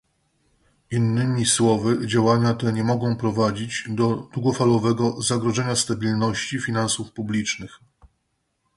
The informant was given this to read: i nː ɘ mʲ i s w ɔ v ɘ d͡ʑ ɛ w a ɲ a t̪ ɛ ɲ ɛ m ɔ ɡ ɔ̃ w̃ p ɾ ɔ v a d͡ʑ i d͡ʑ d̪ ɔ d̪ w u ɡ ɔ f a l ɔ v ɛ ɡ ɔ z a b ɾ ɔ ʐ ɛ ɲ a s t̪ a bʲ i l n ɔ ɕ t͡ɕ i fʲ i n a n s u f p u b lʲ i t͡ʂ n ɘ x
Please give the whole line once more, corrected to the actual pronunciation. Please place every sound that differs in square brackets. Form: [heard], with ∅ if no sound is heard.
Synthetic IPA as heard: i nː ɘ mʲ i s w ɔ v ɘ d͡ʑ [a] w a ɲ a t̪ ɛ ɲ ɛ m ɔ ɡ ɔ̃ w̃ p ɾ ɔ v a d͡ʑ i d͡ʑ d̪ ɔ d̪ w u ɡ ɔ f a l ɔ v ɛ ɡ ɔ z a [ɡ] ɾ ɔ ʐ ɛ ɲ a s t̪ a bʲ i l n ɔ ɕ t͡ɕ i fʲ i n a n s u f p u b lʲ i t͡ʂ n ɘ x